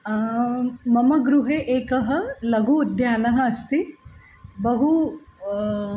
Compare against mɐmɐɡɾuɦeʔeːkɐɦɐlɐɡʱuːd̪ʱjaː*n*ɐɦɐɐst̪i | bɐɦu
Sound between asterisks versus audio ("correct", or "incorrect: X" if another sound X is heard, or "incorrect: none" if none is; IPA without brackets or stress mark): correct